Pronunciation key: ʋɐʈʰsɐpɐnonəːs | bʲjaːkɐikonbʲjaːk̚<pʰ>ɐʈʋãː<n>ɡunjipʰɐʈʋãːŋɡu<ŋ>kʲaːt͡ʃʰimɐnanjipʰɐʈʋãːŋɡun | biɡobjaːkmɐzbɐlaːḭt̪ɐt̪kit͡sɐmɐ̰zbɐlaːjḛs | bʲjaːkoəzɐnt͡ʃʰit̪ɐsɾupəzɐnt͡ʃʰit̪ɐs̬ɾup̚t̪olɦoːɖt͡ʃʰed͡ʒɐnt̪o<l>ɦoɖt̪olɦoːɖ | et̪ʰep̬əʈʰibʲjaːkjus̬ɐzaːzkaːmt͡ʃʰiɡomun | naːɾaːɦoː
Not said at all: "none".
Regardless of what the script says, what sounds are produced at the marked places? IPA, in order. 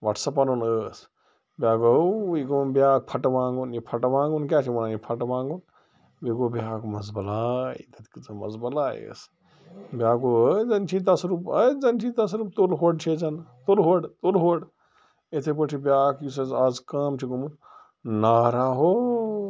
pʰ, ŋ, n, l

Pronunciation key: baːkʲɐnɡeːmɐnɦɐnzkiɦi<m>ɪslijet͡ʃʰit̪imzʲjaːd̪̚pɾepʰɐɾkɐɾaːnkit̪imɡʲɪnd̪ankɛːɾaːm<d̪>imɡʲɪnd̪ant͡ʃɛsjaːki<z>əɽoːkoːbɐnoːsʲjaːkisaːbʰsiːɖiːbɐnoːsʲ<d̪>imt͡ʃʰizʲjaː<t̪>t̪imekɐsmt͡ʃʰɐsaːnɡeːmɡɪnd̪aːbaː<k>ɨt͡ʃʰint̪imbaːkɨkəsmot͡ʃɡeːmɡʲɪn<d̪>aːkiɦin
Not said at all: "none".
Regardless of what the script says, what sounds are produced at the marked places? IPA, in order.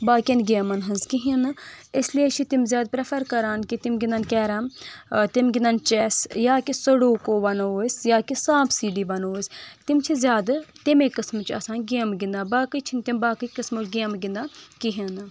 n, t̪, s, t̪, d̪, k, d̪

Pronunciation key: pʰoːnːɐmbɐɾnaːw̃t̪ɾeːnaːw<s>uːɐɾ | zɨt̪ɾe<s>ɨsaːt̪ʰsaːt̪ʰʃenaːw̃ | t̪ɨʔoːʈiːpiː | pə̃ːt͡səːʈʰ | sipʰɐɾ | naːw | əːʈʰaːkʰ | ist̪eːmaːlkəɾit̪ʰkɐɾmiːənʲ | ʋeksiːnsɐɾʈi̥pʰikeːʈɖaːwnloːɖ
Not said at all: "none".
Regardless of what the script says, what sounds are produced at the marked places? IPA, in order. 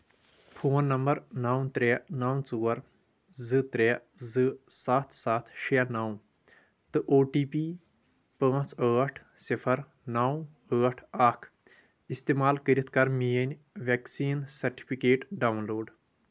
t͡s, z

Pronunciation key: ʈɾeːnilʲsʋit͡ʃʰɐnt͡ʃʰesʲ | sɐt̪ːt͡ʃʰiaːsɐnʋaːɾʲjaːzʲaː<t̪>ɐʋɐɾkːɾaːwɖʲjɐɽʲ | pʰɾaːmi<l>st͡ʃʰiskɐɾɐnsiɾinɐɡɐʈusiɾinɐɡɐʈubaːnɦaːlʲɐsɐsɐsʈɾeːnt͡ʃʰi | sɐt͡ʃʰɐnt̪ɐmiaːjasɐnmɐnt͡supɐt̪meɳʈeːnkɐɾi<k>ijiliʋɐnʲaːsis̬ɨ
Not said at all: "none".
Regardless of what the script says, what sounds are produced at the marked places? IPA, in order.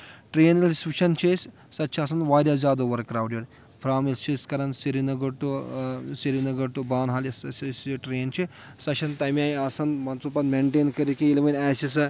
d̪, l, k

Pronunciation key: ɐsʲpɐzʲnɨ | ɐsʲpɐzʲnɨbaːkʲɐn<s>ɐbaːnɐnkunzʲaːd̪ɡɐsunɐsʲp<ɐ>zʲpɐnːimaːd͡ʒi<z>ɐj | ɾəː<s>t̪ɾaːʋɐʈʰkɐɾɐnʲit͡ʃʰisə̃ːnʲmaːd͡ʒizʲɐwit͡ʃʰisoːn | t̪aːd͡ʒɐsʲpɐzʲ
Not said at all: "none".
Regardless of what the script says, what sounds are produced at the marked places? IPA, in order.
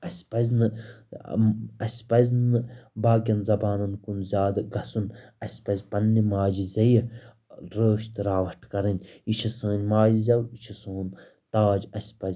z, ɐ, z, ʃ

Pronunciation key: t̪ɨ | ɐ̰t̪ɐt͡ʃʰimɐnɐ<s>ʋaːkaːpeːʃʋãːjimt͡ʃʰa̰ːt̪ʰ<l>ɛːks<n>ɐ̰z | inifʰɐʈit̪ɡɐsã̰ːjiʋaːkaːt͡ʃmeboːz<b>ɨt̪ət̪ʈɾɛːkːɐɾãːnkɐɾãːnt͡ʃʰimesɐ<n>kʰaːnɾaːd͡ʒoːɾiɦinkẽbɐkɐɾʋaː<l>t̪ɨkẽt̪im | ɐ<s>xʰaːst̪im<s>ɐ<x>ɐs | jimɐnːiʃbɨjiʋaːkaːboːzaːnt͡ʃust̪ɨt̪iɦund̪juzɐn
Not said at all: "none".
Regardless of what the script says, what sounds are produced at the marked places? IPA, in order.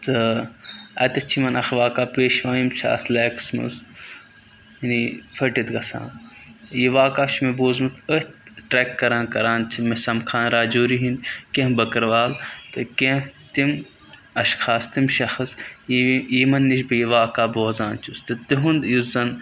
x, l, m, m, m, l, ʃ, ʃ, x

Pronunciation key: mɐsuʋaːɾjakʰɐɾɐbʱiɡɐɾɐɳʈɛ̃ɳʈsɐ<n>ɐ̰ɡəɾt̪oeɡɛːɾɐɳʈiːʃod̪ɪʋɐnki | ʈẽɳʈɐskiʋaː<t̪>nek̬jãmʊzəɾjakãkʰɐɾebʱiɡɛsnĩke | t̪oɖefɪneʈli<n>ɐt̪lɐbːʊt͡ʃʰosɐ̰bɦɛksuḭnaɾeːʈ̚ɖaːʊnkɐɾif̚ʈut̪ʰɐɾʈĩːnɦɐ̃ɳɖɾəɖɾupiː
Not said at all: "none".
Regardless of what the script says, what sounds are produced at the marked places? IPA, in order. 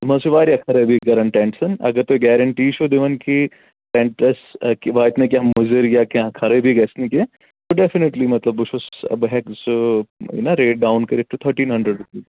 n, t̪, m

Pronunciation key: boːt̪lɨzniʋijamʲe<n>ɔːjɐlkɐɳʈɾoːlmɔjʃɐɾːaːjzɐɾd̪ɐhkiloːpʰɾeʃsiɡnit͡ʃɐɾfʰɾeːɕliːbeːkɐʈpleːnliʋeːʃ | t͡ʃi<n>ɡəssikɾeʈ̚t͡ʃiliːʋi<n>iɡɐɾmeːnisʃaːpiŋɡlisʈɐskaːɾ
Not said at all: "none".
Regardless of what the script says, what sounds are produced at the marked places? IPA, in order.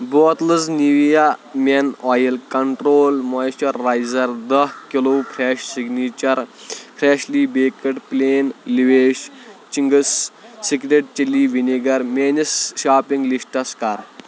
n, ŋ, n

